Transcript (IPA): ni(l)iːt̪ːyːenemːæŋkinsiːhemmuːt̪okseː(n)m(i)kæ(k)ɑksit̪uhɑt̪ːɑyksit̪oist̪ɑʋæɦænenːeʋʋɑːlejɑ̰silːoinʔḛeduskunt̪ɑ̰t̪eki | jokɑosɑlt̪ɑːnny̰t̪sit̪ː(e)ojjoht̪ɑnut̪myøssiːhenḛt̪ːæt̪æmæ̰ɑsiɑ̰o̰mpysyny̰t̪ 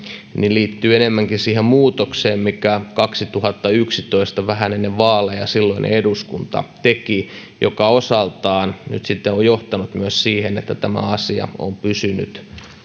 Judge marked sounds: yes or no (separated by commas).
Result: yes, no, yes, yes, yes